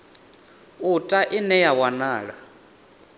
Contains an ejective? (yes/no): yes